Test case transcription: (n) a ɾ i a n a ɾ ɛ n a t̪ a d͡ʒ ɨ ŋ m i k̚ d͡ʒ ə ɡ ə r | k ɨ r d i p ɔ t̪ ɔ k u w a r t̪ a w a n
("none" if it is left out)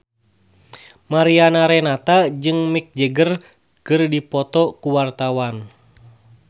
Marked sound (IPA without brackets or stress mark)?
m